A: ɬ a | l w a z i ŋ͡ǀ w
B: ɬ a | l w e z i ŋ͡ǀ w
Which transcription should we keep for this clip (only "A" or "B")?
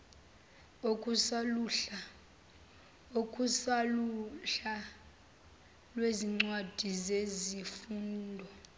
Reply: B